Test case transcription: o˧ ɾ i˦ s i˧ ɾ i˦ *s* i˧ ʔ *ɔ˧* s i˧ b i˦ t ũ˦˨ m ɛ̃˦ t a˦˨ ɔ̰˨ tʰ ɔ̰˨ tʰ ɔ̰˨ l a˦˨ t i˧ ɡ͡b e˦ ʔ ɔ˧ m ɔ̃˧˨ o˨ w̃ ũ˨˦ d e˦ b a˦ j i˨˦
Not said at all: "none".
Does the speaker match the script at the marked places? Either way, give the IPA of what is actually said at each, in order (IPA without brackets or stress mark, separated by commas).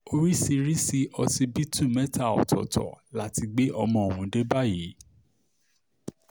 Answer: s, ɔ˧